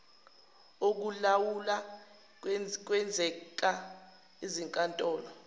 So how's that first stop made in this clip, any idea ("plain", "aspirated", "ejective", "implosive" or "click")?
plain